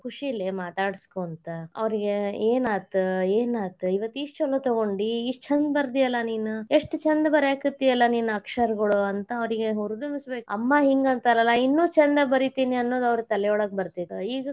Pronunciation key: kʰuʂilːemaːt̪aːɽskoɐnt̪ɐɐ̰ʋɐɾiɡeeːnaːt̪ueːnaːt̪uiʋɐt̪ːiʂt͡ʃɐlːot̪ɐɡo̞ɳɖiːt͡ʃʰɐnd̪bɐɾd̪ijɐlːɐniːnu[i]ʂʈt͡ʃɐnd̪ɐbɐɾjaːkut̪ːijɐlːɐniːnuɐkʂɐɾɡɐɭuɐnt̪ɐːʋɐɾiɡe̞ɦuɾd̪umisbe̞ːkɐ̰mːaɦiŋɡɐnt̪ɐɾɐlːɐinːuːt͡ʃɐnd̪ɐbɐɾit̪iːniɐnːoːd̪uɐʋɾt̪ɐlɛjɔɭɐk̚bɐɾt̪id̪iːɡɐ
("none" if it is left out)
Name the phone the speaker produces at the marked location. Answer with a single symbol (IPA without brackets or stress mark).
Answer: e